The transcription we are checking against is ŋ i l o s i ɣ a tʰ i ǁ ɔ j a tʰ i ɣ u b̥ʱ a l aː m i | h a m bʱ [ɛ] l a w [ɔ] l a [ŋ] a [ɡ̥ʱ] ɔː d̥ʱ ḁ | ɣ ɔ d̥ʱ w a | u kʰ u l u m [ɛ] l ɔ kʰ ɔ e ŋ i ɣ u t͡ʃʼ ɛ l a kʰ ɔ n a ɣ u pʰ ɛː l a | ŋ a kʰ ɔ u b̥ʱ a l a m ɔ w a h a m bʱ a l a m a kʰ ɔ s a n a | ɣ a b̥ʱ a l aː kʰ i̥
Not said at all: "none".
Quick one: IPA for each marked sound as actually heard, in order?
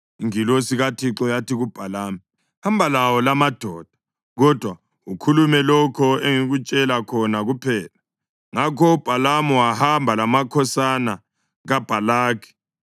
a, ɔ, m, d̥ʱ, ɛ

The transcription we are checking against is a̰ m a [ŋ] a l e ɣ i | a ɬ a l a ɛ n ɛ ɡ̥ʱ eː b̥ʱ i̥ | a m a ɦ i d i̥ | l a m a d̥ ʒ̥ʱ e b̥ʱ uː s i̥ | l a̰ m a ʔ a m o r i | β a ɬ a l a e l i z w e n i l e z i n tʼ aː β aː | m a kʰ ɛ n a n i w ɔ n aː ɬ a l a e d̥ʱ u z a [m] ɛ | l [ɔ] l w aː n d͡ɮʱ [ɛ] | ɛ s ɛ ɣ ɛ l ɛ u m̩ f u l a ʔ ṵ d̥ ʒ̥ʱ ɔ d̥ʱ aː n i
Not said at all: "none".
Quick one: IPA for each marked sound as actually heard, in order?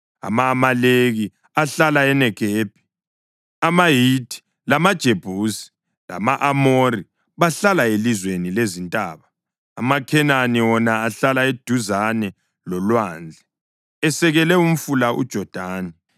m, n, ɔ, ɛ

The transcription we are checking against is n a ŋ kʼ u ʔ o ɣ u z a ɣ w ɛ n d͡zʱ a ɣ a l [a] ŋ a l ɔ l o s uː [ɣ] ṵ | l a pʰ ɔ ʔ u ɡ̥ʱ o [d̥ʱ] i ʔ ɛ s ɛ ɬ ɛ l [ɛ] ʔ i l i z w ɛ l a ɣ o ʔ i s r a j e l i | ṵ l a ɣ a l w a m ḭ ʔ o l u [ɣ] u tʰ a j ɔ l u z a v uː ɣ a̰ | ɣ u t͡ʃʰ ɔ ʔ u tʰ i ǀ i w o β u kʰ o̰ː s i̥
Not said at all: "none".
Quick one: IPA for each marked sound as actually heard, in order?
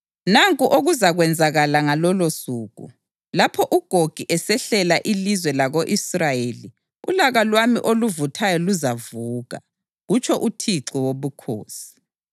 a, ɣ, ɡ̥ʱ, a, v

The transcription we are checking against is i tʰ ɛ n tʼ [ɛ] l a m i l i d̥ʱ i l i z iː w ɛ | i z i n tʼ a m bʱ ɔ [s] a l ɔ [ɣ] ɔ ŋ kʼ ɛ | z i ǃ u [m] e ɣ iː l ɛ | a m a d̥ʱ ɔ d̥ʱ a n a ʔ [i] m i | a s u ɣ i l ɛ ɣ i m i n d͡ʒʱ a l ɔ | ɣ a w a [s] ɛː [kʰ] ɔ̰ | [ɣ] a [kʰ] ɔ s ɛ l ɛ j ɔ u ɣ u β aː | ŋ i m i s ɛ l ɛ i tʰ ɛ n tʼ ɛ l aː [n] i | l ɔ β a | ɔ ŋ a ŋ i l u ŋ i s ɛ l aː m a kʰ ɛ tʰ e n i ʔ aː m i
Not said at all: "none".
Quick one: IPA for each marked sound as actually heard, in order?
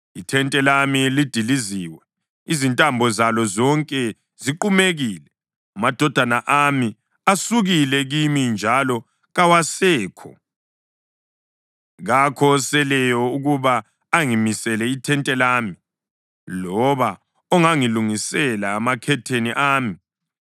ɛ, z, z, m, a, s, kʰ, ɣ, kʰ, m

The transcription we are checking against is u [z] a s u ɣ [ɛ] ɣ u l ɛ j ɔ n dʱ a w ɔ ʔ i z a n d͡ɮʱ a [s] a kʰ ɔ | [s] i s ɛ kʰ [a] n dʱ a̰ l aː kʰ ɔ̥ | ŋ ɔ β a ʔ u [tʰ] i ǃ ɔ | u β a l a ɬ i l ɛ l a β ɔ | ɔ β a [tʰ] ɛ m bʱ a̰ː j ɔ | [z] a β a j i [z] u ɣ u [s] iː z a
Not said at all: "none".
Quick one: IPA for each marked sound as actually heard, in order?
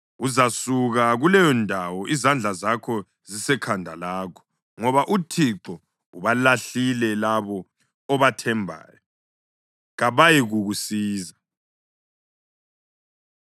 z, a, z, z, a, tʰ, tʰ, ɣ, ɣ, s

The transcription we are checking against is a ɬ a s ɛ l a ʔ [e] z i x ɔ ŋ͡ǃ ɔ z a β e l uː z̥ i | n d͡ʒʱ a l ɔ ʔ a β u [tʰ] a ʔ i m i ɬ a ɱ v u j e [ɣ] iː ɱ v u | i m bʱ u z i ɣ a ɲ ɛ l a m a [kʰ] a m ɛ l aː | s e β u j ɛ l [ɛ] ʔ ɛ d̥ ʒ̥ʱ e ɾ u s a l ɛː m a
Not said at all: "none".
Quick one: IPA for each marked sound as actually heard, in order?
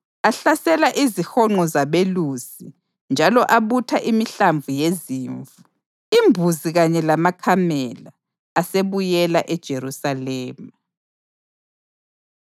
i, tʰ, z, kʰ, a

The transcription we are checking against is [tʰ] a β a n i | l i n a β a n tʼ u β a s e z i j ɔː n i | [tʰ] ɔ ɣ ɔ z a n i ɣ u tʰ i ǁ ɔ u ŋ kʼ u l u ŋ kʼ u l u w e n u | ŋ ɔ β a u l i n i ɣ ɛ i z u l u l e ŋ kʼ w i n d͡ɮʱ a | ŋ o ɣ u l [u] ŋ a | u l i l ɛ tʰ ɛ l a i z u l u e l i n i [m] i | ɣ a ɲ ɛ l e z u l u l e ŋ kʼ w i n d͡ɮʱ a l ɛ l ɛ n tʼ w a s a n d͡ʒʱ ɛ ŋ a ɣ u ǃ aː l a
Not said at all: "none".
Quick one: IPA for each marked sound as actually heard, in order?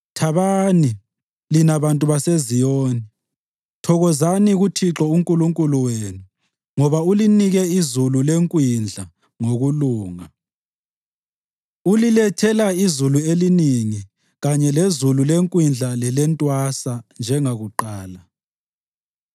tʰ, tʰ, uː, ŋ

